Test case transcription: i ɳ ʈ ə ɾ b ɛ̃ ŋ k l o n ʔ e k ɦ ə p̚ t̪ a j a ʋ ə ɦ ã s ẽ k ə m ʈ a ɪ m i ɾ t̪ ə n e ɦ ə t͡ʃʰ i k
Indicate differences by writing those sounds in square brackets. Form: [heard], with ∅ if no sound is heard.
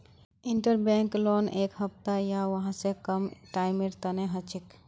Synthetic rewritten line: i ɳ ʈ ə ɾ b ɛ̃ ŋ k l o n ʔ e k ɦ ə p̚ t̪ a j a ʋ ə ɦ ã s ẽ k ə m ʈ a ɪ m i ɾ t̪ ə n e ɦ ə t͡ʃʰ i k